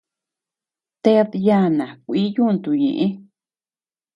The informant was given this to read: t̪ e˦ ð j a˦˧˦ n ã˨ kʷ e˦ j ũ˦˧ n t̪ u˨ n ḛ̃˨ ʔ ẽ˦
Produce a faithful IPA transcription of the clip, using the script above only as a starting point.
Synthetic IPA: t̪ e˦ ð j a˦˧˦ n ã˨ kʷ i˦ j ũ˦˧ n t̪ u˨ ɲ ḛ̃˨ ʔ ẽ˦